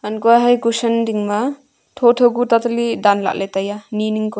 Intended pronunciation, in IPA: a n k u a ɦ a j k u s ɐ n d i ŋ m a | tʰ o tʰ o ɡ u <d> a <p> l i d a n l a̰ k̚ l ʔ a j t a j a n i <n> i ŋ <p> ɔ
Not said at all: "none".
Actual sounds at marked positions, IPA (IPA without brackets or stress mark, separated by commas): t, t, n, k